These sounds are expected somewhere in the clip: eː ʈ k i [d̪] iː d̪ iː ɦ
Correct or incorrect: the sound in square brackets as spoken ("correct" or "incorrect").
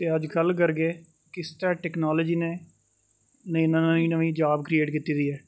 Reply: incorrect